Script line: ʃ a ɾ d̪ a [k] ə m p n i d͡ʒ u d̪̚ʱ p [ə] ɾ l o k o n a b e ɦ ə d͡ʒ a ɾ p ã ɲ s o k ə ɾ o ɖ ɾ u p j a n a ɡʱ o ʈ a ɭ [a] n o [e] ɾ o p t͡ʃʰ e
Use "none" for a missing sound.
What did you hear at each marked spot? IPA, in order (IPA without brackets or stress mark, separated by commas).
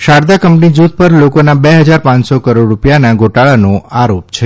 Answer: k, ə, a, a